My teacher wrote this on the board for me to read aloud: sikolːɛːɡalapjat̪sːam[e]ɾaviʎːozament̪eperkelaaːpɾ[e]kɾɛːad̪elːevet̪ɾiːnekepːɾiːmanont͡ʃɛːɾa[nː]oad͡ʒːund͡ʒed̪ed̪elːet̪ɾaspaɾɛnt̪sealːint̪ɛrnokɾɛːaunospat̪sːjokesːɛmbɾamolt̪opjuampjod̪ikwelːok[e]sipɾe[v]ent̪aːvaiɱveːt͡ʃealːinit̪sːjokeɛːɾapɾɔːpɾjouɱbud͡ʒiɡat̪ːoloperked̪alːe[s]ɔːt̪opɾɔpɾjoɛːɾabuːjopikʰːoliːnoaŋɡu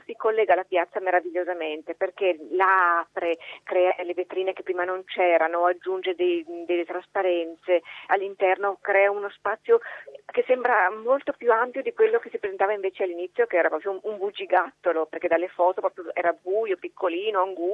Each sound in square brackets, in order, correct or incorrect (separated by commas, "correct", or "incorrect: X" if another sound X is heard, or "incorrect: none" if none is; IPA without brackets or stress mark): correct, correct, incorrect: n, correct, incorrect: z, incorrect: f